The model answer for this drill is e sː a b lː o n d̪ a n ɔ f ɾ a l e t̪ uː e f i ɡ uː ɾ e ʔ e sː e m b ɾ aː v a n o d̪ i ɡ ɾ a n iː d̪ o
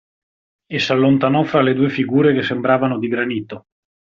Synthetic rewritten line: e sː a lː o n t̪ a n ɔ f ɾ a l e d̪ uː e f i ɡ uː ɾ e k e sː e m b ɾ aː v a n o d̪ i ɡ ɾ a n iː t̪ o